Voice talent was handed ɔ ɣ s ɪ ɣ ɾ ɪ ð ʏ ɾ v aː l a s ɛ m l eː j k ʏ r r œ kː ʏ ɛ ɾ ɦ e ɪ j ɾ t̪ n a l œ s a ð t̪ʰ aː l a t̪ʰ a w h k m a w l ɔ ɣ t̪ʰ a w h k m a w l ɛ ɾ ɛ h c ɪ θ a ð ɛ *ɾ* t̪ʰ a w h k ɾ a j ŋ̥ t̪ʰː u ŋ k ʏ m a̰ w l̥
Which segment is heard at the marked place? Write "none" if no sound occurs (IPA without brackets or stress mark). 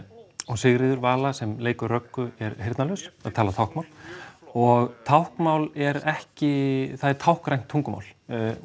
ɾ